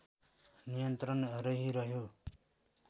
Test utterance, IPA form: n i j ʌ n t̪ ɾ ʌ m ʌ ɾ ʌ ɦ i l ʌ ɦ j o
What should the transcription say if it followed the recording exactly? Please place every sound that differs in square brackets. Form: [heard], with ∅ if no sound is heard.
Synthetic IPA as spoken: n i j ʌ n t̪ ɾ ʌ [n] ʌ ɾ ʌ ɦ i [ɾ] ʌ ɦ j o

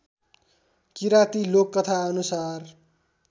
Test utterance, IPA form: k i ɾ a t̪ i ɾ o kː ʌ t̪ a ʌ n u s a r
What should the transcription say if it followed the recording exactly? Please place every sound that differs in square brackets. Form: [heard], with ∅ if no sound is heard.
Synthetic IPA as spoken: k i ɾ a t̪ i [l] o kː ʌ [t̪ʰ] a ʌ n u s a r

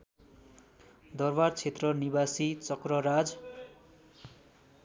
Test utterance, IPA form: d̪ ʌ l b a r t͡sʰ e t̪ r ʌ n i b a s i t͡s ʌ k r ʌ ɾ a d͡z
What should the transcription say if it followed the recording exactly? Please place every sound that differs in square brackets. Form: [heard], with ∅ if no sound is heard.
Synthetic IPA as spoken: d̪ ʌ [r] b a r t͡sʰ e t̪ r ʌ n i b a s i t͡s ʌ k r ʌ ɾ a d͡z

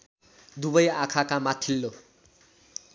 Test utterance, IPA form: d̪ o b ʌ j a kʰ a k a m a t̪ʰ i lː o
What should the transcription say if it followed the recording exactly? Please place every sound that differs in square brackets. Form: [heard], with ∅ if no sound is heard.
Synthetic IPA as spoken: d̪ [u] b ʌ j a kʰ a k a m a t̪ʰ i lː o

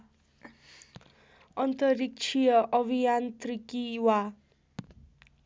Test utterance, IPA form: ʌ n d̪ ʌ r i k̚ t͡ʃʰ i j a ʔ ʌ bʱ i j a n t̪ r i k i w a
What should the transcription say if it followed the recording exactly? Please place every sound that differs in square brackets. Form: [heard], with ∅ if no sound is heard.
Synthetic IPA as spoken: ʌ n [t̪] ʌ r i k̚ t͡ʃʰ i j [ʌ] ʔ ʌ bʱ i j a n t̪ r i k i w a

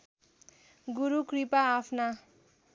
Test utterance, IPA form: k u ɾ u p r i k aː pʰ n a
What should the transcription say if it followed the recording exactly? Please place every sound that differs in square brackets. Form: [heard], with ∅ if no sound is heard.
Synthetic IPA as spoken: [ɡ] u ɾ u [k] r i [p] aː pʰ n a

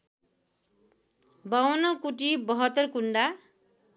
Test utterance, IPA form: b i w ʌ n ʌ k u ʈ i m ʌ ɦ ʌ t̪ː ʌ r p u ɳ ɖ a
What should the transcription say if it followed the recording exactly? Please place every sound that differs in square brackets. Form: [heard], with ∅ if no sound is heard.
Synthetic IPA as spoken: b [a] w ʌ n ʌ k u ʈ i [b] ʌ ɦ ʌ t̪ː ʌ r [k] u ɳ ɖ a

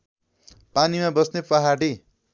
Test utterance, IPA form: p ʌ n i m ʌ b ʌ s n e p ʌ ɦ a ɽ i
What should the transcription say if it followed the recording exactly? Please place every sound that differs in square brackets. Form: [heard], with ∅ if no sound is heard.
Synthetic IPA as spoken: p [a] n i m [a] b ʌ s n e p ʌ ɦ a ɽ i

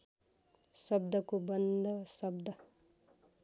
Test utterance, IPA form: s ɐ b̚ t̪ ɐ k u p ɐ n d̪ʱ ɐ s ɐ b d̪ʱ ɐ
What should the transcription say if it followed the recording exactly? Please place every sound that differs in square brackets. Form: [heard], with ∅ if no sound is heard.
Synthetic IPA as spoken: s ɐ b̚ [d̪] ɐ k u [b] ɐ n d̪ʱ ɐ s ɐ b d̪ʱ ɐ

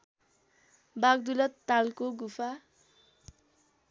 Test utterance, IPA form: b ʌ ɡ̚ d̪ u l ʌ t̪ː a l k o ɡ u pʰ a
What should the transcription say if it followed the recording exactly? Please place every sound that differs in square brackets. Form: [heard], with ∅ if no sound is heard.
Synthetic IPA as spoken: b [a] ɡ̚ d̪ u l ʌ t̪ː a l k o ɡ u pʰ a

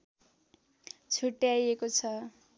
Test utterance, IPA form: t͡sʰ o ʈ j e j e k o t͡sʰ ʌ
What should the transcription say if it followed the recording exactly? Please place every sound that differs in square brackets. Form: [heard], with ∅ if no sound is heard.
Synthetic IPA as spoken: t͡sʰ [u] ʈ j [a] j e k o t͡sʰ ʌ

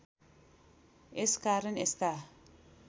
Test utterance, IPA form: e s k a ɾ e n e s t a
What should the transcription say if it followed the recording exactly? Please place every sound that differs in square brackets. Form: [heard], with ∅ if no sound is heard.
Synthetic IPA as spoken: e s k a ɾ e n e s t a

